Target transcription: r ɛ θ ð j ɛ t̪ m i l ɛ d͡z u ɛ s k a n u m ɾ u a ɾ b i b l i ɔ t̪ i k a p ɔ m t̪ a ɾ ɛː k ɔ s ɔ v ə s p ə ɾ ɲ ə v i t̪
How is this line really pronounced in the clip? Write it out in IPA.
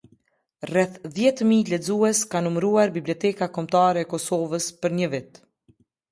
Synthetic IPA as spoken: r ɛ θ ð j ɛ t̪ m i l ɛ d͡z u ɛ s k a n u m ɾ u a ɾ b i b l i ɔ t̪ ɛ k a k ɔ m t̪ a ɾ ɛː k ɔ s ɔ v ə s p ə ɾ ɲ ə v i t̪